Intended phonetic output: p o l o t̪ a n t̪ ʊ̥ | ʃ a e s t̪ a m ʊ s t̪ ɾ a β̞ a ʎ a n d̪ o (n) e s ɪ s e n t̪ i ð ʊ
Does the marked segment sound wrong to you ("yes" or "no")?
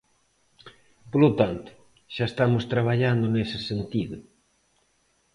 no